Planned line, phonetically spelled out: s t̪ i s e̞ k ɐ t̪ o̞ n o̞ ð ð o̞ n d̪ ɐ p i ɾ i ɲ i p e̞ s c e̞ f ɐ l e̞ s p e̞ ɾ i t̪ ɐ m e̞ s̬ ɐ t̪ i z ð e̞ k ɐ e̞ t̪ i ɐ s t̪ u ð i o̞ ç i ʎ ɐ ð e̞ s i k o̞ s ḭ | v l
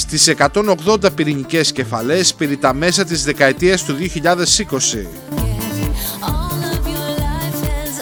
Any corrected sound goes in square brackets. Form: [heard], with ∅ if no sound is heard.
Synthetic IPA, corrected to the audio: s t̪ i s e̞ k ɐ t̪ o̞ n o̞ [ɣ] ð o̞ n d̪ ɐ p i ɾ i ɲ i [c] e̞ s c e̞ f ɐ l e̞ s p e̞ ɾ i t̪ ɐ m e̞ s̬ ɐ t̪ i z ð e̞ k ɐ e̞ t̪ i ɐ s t̪ u ð i o̞ ç i ʎ ɐ ð e̞ s i k o̞ s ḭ | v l